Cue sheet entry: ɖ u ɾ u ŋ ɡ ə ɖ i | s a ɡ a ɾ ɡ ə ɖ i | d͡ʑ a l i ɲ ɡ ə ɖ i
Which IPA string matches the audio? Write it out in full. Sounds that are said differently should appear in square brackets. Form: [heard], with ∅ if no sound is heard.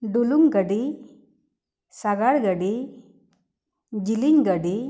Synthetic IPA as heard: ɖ u [l] u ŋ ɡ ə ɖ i | s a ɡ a [ɽ] ɡ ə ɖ i | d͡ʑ [i] l i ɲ ɡ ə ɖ i